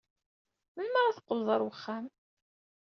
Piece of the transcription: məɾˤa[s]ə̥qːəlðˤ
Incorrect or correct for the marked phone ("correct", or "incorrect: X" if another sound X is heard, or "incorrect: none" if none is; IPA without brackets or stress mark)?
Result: incorrect: θ